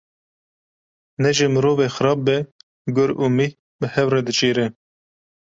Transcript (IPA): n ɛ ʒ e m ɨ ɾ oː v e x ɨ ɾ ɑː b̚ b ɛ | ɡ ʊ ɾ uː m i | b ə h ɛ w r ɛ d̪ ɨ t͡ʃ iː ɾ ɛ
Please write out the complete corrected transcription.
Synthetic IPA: n ɛ ʒ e m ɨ ɾ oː v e x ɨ ɾ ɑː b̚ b ɛ | ɡ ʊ ɾ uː m i | b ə h ɛ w r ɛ d̪ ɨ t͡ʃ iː ɾ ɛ